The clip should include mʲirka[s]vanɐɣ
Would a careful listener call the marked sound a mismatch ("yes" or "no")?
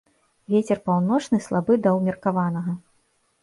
yes